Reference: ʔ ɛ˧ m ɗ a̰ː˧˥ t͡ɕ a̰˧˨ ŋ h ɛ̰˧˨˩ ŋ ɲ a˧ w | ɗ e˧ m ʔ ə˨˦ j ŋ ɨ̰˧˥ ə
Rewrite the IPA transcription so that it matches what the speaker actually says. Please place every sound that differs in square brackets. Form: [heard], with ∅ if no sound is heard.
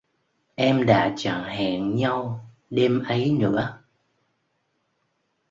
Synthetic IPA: ʔ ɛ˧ m ɗ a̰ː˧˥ t͡ɕ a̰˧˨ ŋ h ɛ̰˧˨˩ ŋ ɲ a˧ w | ɗ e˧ m ʔ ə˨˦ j [n] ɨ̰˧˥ ə